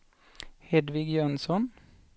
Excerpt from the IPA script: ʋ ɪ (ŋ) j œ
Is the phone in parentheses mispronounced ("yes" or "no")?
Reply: yes